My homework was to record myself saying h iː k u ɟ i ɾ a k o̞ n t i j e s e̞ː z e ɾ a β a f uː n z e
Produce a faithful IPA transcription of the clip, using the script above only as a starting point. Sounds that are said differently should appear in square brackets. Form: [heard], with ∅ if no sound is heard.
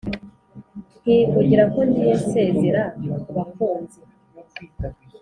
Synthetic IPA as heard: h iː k u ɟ i ɾ a k o̞ n [d] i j e s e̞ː z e ɾ a β a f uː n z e